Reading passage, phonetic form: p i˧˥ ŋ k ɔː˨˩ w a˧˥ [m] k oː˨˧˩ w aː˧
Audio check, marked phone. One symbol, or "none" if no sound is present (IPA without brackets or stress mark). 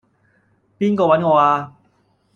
n